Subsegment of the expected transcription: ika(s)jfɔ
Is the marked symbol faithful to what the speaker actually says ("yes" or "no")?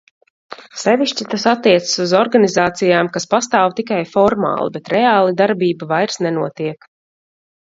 no